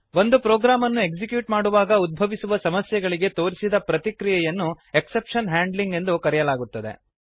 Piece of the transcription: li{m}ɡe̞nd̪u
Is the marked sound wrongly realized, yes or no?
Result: yes